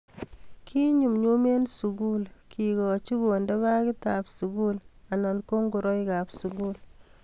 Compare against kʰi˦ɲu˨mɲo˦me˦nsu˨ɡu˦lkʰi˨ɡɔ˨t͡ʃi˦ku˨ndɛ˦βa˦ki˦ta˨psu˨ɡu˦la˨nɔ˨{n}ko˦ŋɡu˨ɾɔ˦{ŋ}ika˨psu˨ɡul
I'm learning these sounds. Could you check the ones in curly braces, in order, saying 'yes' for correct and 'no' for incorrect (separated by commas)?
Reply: yes, no